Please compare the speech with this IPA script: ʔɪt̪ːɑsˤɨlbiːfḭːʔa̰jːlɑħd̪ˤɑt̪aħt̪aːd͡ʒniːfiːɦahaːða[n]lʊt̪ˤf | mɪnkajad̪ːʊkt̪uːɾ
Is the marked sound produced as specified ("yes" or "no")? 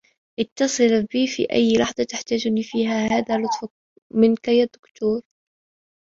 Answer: no